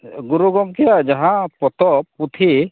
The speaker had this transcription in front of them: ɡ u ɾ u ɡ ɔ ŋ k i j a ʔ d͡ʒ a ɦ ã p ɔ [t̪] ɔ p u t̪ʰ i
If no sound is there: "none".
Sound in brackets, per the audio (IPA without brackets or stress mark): t̪